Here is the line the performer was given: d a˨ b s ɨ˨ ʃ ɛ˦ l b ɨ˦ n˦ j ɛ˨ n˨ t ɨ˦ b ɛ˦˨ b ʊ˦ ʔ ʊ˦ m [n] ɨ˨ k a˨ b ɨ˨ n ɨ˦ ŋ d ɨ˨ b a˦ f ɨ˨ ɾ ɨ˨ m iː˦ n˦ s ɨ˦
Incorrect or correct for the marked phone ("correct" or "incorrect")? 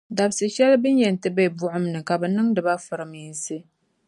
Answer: correct